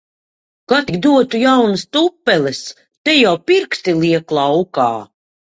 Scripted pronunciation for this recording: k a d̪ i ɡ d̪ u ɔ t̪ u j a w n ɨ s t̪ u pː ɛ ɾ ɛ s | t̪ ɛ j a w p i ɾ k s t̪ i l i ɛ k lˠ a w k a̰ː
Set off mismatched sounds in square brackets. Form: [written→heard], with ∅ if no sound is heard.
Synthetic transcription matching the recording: k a [d̪→t̪] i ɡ d̪ u ɔ t̪ u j a w n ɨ s t̪ u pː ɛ [ɾ→l] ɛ s | t̪ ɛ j a w p i ɾ k s t̪ i l i ɛ k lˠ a w k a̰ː